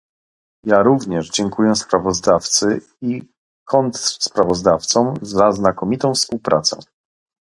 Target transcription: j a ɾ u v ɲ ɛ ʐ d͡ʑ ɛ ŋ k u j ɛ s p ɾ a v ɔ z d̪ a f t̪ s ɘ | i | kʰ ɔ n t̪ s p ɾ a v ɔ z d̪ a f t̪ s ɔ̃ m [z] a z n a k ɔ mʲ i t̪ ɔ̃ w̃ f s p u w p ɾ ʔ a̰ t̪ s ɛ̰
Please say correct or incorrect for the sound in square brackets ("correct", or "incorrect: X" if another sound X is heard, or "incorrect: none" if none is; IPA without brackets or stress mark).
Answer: correct